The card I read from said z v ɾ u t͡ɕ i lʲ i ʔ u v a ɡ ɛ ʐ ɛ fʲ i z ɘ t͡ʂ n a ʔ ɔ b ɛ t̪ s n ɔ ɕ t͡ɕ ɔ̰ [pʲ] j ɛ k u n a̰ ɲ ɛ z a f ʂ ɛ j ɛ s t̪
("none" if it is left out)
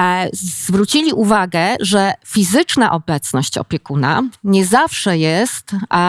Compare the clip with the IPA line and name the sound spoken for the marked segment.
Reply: pʲ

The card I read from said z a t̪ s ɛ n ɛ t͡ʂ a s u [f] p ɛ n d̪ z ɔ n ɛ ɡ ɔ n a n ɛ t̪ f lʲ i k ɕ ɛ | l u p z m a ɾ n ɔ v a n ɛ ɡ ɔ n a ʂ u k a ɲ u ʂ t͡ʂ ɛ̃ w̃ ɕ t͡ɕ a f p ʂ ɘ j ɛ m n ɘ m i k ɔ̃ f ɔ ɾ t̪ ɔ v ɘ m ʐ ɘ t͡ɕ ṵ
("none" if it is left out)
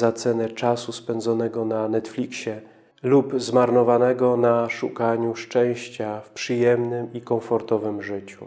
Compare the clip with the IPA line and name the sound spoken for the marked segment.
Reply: s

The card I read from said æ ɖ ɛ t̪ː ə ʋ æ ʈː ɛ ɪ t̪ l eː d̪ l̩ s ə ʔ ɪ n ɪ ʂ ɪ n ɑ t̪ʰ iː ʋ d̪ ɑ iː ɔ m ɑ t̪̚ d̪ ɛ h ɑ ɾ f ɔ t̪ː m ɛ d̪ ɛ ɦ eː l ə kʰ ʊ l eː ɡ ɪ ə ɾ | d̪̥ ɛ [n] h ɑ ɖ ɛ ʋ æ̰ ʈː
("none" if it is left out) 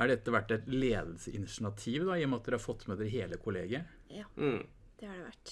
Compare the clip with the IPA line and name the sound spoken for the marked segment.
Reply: none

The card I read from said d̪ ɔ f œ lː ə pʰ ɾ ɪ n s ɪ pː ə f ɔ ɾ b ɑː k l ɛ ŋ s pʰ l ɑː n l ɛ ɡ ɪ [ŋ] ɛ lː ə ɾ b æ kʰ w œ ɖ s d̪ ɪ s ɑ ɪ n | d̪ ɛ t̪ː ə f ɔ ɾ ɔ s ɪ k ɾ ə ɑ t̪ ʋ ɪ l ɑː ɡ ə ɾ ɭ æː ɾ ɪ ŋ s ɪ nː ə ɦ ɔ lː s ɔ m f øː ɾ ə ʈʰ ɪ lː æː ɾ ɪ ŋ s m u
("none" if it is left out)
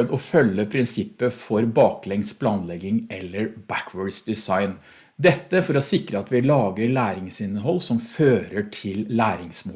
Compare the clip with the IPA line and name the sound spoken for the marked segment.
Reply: ŋ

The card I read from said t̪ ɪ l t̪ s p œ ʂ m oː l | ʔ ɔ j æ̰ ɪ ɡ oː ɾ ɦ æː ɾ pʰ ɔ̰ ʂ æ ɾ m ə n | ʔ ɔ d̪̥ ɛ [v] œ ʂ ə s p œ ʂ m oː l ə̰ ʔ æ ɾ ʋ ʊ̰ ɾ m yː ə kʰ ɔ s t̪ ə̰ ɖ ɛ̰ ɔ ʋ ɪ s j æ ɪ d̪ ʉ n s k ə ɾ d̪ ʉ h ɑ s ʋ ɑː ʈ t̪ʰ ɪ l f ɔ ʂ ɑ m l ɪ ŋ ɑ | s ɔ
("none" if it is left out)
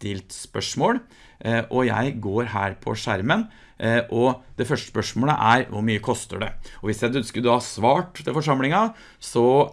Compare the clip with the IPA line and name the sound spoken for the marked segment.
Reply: f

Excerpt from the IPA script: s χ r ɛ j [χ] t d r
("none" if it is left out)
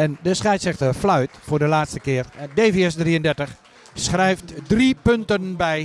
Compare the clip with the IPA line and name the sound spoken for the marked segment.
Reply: f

